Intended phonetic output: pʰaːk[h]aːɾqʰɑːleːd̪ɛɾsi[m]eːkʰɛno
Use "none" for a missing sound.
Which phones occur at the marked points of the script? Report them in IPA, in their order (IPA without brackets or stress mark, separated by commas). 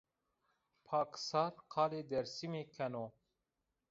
s, m